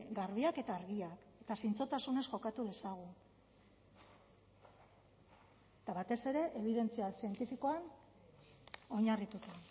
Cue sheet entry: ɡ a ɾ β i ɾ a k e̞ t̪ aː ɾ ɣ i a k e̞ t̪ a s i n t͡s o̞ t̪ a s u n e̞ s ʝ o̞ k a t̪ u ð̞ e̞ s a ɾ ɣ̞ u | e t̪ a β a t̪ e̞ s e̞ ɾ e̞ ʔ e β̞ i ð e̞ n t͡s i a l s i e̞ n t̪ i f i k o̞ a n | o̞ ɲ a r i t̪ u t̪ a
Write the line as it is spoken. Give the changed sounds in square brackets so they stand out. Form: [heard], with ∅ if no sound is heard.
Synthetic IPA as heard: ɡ a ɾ β i [∅] a k e̞ t̪ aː ɾ ɣ i a k e̞ t̪ a s i n t͡s o̞ t̪ a s u n e̞ s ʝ o̞ k a t̪ u ð̞ e̞ s a [∅] ɣ̞ u | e t̪ a β a t̪ e̞ s e̞ ɾ e̞ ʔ e β̞ i ð e̞ n t͡s i a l s i e̞ n t̪ i f i k o̞ a n | o̞ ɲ a r i t̪ u t̪ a